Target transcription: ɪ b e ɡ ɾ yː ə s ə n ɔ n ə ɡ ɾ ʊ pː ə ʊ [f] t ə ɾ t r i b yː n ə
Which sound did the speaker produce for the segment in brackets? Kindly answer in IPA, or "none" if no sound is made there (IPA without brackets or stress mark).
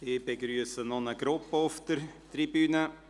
f